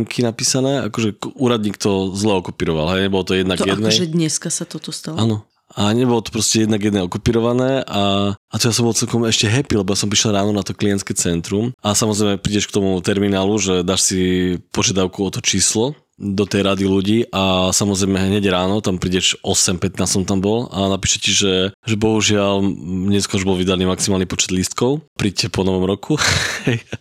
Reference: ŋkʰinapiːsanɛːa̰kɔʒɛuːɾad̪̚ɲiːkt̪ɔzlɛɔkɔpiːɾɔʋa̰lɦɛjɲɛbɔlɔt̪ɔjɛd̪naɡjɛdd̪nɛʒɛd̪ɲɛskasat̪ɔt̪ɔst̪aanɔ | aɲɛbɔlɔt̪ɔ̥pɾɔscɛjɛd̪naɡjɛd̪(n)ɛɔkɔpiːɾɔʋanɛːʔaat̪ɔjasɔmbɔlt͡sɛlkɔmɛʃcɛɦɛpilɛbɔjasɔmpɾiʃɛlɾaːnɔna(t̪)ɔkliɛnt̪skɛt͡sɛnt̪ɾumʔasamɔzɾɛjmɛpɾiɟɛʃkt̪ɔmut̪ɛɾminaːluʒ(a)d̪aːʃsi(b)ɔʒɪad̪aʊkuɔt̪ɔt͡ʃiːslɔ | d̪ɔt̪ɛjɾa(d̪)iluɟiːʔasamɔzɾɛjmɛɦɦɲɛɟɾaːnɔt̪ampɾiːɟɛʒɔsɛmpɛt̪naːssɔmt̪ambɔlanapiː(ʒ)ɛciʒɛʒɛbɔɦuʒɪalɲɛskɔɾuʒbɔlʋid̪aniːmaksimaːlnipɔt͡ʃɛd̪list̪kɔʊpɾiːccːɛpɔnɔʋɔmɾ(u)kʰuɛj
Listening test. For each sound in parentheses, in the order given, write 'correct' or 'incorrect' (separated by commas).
correct, correct, incorrect, incorrect, correct, incorrect, incorrect